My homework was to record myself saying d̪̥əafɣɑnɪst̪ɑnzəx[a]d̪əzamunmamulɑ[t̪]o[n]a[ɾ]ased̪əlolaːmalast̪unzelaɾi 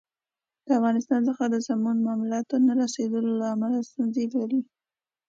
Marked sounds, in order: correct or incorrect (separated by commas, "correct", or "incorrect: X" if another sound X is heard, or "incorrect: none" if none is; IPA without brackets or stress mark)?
correct, correct, correct, correct